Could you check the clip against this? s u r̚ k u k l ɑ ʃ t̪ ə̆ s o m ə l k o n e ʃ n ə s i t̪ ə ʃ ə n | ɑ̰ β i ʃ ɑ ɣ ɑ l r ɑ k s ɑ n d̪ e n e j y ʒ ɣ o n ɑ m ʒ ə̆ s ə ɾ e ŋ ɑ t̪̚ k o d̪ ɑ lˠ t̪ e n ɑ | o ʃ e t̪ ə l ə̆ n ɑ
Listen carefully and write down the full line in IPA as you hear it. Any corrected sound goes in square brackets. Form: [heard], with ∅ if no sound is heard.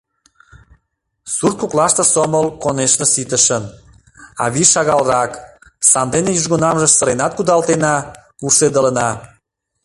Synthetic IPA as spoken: s u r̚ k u k l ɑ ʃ t̪ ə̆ s o m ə l k o n e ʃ n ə s i t̪ ə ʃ ə n | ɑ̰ β i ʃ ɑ ɣ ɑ l r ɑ k s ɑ n d̪ e n e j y ʒ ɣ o n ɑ m ʒ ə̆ s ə ɾ e [n] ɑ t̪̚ k [u] d̪ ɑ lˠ t̪ e n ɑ | [u] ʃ e [d̪] ə l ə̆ n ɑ